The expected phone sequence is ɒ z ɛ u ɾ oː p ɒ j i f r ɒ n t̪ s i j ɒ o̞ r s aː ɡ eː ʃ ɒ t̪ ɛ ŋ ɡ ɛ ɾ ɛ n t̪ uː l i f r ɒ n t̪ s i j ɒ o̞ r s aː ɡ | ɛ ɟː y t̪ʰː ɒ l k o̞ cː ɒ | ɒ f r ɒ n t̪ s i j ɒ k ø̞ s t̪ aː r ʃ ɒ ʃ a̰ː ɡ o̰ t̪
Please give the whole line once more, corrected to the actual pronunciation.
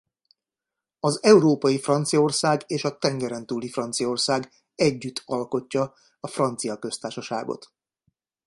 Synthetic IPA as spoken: ɒ z ɛ u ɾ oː p ɒ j i f r ɒ n t̪ s i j ɒ o̞ r s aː ɡ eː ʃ ɒ t̪ ɛ ŋ ɡ ɛ ɾ ɛ n t̪ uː l i f r ɒ n t̪ s i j ɒ o̞ r s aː ɡ | ɛ ɟː y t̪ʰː ɒ l k o̞ cː ɒ | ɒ f r ɒ n t̪ s i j ɒ k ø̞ s t̪ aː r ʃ ɒ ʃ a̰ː ɡ o̰ t̪